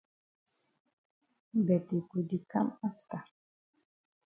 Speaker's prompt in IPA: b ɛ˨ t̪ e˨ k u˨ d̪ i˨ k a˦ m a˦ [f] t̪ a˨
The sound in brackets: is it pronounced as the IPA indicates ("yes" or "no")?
yes